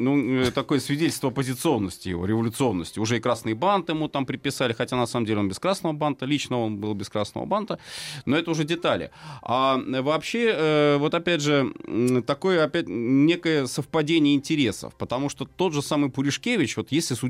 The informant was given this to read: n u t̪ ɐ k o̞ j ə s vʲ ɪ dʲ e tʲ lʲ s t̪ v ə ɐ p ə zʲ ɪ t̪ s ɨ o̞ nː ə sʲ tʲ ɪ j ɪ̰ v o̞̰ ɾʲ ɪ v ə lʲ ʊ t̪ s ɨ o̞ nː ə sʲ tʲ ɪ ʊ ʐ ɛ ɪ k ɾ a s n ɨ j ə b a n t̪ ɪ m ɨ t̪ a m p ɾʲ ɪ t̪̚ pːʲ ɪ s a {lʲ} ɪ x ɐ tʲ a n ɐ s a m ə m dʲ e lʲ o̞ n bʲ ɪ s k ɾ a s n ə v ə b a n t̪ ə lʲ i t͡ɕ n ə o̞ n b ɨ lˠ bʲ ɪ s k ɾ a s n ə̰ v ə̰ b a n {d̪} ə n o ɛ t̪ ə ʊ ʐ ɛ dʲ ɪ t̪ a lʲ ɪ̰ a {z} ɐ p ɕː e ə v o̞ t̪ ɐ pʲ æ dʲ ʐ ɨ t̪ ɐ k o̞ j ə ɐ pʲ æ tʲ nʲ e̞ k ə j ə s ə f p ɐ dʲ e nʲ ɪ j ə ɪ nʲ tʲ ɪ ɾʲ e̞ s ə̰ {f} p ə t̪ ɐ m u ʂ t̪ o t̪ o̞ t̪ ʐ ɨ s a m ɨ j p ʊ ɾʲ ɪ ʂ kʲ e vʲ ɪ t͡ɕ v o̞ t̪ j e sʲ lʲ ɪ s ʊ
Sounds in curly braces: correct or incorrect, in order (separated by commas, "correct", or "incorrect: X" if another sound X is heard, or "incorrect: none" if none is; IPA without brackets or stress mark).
correct, incorrect: t̪, incorrect: v, correct